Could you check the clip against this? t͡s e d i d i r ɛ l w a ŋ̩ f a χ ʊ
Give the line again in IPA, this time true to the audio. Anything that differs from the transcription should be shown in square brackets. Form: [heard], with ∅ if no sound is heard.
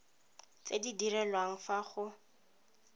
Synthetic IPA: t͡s e d i d i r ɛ l w a ŋ̩ f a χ ʊ